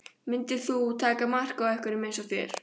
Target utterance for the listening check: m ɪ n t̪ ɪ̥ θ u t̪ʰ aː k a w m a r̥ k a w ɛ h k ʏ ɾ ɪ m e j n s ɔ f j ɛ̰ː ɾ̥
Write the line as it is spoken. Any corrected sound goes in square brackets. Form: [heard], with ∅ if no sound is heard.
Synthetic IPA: m ɪ n t̪ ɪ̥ θ u t̪ʰ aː k a [∅] m a r̥ k a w ɛ h k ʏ ɾ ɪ m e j n s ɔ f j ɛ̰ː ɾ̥